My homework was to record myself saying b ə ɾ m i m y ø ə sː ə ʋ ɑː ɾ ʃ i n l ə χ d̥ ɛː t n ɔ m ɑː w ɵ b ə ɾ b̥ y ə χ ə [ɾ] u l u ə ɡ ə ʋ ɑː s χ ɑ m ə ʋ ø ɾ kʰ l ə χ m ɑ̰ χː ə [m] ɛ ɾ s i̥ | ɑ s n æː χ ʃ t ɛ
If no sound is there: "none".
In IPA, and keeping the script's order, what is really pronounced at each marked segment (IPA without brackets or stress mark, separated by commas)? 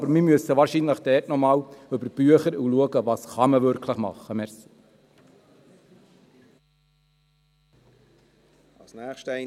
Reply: ɾ, m